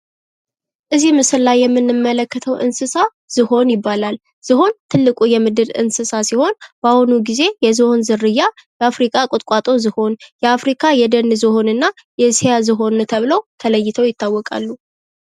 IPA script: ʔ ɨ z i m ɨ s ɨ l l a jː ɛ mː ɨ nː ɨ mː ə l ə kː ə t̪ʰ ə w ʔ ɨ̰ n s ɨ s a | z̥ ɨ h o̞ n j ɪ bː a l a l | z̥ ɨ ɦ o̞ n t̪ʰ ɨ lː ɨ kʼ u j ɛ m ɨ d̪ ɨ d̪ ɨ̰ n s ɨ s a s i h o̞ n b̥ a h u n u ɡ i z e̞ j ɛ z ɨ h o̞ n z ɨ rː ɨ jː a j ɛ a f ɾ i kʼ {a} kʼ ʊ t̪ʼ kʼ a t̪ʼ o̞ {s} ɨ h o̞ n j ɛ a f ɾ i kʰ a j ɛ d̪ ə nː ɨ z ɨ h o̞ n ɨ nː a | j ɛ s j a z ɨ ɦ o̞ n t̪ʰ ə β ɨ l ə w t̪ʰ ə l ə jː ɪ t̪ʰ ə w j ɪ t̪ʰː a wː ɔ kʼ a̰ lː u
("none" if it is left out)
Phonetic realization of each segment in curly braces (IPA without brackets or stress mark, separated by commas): a, z